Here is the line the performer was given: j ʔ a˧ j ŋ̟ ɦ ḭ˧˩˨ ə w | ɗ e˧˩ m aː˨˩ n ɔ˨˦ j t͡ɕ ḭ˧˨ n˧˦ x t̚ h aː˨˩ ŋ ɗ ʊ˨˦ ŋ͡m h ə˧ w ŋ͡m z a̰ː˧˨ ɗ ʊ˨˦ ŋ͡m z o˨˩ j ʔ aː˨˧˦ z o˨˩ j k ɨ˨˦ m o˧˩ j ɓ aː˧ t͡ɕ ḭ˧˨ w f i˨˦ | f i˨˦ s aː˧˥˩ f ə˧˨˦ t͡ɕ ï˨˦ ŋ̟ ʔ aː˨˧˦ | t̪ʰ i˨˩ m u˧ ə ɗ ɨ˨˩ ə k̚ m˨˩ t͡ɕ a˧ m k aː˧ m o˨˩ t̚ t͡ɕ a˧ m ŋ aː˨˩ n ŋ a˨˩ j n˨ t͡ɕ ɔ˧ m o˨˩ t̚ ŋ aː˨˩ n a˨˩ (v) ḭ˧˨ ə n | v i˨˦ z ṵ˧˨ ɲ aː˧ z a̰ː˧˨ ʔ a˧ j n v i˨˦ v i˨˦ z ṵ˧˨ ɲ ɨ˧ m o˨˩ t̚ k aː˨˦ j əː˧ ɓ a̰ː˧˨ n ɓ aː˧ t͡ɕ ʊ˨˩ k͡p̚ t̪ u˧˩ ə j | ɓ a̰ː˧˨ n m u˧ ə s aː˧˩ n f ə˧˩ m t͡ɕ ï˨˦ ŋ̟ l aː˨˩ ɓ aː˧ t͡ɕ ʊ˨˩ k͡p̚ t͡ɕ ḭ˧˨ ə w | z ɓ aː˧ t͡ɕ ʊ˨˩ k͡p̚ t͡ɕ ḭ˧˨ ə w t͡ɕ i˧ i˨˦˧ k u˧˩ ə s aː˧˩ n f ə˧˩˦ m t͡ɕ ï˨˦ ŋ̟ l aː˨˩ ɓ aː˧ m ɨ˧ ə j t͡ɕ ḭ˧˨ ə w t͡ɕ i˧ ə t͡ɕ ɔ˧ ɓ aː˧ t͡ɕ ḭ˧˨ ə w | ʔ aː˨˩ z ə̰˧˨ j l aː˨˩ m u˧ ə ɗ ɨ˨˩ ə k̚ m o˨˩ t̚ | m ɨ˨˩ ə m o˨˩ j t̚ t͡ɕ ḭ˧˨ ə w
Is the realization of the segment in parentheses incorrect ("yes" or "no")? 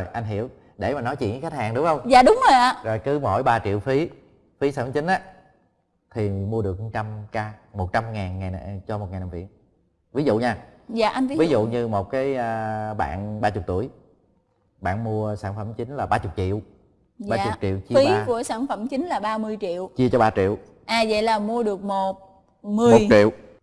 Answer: no